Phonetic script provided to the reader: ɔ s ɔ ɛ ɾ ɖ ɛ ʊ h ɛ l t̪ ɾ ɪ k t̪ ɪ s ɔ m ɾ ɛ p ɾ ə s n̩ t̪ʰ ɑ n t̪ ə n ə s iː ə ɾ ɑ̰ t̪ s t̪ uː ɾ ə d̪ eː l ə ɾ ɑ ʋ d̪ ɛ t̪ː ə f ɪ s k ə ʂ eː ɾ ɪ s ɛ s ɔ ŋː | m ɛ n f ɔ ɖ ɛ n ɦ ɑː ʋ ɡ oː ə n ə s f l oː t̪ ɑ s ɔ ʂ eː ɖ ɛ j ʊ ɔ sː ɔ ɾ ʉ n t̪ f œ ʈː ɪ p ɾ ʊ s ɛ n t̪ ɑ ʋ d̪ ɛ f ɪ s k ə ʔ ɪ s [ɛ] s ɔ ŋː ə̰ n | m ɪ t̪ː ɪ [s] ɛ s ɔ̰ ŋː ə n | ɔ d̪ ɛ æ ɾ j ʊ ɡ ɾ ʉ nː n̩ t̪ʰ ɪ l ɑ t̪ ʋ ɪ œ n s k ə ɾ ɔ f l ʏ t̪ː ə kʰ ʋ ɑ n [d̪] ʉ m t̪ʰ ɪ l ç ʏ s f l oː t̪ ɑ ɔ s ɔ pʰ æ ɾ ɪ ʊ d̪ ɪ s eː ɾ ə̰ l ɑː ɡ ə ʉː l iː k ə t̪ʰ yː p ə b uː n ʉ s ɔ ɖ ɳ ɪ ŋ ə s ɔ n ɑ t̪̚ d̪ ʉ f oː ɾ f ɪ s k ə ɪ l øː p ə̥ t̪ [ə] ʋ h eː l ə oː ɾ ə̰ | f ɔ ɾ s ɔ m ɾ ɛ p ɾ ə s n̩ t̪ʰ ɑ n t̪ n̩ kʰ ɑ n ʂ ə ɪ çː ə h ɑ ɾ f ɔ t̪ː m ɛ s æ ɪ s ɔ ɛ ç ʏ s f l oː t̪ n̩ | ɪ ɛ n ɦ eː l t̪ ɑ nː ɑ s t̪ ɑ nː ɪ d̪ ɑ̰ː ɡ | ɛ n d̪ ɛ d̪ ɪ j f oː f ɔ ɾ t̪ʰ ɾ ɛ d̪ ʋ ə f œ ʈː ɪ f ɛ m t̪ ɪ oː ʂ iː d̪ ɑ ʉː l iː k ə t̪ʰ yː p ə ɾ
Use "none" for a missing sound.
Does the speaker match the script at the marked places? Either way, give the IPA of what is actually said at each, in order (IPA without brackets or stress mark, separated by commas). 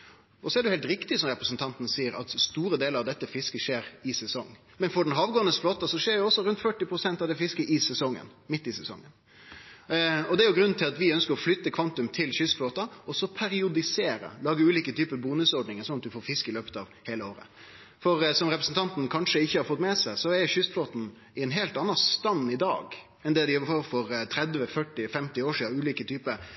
ɛ, s, t̪, ɑ